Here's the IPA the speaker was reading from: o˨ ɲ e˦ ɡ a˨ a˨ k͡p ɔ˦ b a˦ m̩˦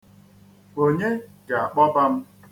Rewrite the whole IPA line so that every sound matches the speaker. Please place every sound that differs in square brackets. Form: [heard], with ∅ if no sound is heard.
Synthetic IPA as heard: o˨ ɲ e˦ ɡ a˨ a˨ k͡p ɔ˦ b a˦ m̩˦

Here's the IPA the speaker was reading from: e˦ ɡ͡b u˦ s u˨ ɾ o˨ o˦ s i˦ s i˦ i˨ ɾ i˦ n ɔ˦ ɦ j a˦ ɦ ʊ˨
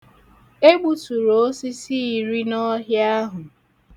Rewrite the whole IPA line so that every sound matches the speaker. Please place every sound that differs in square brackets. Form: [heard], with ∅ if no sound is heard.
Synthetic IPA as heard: e˦ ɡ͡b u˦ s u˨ ɾ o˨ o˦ s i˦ s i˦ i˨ ɾ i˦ n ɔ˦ ɦ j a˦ ɦ ʊ˨

